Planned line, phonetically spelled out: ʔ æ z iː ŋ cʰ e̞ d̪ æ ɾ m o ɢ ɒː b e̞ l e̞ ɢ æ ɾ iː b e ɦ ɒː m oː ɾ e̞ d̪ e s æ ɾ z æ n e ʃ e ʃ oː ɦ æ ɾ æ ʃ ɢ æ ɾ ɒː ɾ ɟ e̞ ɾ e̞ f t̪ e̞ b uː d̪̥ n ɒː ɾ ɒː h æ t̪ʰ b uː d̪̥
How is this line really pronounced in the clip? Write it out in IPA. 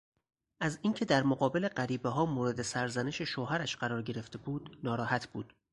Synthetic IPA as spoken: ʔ æ z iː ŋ cʰ e̞ d̪ æ ɾ m o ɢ ɒː b e̞ l e̞ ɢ æ ɾ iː b e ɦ ɒː m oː ɾ e̞ d̪ e s æ ɾ z æ n e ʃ e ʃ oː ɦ æ ɾ æ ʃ ɢ æ ɾ ɒː ɾ ɟ e̞ ɾ e̞ f t̪ e̞ b uː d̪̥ n ɒː ɾ ɒː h æ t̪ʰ b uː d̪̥

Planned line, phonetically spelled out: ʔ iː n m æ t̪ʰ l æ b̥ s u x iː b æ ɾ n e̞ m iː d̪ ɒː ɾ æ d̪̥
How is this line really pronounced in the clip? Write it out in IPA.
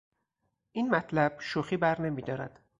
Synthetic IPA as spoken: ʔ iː n m æ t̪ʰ l æ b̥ ʃ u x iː b æ ɾ n e̞ m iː d̪ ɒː ɾ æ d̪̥

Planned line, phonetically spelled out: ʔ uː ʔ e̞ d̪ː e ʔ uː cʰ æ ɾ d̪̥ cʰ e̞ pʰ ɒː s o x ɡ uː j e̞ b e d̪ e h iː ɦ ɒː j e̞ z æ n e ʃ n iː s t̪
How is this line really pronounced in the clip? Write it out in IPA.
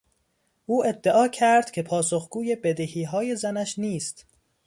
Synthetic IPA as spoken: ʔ uː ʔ e̞ d̪ː e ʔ ɒː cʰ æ ɾ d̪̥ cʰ e̞ pʰ ɒː s o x ɡ uː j e̞ b e d̪ e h iː ɦ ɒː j e̞ z æ n æ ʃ n iː s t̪

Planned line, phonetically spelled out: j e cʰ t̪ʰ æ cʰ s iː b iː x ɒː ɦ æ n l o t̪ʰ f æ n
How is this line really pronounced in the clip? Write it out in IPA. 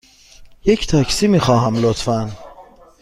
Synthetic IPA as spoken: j e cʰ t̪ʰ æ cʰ s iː m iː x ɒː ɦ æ m l o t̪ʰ f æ n

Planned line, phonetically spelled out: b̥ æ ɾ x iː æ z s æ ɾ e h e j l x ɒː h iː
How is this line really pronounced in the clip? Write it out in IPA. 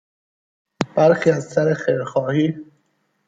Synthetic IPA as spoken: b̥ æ ɾ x iː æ z s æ ɾ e x e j ɾ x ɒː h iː

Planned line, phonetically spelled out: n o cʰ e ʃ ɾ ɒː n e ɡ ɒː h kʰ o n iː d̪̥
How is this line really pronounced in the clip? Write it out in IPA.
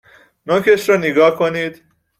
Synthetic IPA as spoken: n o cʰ e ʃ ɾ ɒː n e ɡ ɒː h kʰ o n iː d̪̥

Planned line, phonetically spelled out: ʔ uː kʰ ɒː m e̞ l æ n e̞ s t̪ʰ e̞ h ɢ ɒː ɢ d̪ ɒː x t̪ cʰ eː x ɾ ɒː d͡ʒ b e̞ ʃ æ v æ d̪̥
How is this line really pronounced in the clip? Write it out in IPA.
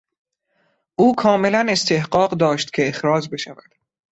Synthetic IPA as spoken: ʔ uː kʰ ɒː m e̞ l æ n e̞ s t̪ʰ e̞ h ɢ ɒː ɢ d̪ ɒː ʃ t̪ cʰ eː x ɾ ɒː d͡ʒ b e̞ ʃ æ v æ d̪̥

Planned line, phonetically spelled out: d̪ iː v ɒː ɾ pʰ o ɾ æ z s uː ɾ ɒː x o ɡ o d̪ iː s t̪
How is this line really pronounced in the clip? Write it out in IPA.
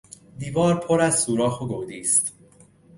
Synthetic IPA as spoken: d̪ iː v ɒː ɾ pʰ o ɾ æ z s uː ɾ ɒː x o ɡ o d̪ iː s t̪

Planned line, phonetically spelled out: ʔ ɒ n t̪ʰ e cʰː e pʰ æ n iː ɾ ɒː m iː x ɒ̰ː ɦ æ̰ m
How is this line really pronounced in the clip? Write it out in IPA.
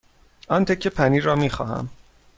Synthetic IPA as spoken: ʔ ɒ n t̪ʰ e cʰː e pʰ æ n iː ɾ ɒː m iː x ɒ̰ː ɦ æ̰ m

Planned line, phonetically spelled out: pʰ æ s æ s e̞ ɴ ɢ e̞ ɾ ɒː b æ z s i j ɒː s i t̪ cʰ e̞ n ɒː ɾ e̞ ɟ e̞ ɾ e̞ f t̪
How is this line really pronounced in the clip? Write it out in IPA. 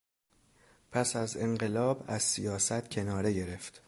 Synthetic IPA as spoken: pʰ æ s æ z e̞ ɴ ɢ e̞ l ɒː b æ z s i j ɒː s æ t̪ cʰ e̞ n ɒː ɾ e̞ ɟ e̞ ɾ e̞ f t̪

